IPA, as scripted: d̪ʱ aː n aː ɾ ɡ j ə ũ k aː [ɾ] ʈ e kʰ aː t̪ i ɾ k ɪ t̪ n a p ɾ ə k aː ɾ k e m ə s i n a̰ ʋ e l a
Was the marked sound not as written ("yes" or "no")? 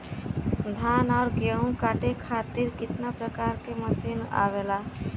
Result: yes